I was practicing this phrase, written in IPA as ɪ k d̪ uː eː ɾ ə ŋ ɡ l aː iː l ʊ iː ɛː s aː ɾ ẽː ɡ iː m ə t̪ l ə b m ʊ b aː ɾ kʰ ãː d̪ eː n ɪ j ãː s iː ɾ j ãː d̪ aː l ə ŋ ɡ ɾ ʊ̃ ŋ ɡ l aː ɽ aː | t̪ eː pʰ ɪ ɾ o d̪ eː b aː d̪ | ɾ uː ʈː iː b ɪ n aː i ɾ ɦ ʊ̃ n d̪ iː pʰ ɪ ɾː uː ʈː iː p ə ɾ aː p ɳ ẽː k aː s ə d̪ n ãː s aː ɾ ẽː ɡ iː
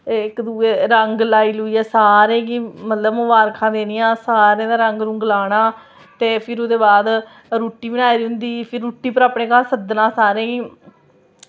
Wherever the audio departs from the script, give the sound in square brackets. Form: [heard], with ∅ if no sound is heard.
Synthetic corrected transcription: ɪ k d̪ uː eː ɾ ə ŋ ɡ l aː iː l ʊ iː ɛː s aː ɾ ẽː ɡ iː m ə t̪ l ə b m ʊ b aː ɾ kʰ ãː d̪ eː n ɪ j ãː s [aː] ɾ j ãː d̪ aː [ɾ] ə ŋ ɡ ɾ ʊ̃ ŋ ɡ l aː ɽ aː | t̪ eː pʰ ɪ ɾ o d̪ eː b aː d̪ | ɾ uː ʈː iː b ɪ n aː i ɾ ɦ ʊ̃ n d̪ iː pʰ ɪ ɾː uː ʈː iː p ə ɾ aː p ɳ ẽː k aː s ə d̪ n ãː s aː ɾ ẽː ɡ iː

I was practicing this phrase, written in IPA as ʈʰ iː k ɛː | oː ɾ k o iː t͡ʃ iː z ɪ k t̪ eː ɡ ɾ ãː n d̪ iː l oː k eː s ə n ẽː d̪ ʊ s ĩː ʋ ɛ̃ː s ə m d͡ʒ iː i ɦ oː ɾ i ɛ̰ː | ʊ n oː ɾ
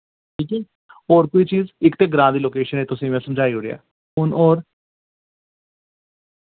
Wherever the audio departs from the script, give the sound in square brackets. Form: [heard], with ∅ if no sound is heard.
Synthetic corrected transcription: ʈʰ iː k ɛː | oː ɾ k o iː t͡ʃ iː z ɪ k t̪ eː ɡ ɾ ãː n d̪ iː l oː k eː [ʃ] ə n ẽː [t̪] ʊ s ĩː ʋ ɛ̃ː s ə m d͡ʒ [aː] i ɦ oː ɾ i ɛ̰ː | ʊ n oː ɾ

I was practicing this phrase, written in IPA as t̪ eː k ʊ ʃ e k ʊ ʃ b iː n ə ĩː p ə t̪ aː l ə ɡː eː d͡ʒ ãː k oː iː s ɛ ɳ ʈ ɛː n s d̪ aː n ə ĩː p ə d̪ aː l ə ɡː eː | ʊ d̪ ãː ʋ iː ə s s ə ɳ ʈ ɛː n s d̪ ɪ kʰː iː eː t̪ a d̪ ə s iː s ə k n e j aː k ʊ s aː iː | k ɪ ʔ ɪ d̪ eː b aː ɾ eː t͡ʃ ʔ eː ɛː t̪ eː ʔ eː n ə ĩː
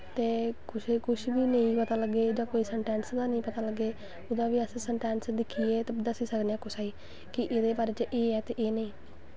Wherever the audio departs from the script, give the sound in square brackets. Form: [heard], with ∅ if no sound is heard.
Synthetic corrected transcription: t̪ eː k ʊ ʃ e k ʊ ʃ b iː n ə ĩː p ə t̪ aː l ə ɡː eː d͡ʒ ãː k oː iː s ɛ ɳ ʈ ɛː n s d̪ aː n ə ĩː p ə [t̪] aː l ə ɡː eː | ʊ d̪ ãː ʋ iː ə s s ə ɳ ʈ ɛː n s d̪ ɪ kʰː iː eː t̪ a d̪ ə s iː s ə k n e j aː k ʊ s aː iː | k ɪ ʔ ɪ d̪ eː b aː ɾ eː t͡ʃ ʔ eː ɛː t̪ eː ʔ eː n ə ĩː

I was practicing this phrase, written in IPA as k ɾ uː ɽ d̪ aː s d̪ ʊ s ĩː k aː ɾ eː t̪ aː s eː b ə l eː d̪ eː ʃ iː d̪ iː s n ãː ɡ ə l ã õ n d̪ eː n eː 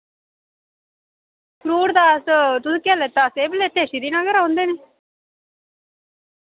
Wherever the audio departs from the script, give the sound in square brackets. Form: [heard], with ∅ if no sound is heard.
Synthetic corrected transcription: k ɾ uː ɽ d̪ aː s [t̪] ʊ s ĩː k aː [l] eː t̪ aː s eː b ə l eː [t̪] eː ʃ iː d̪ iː [∅] n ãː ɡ ə [ɾ] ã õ n d̪ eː n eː

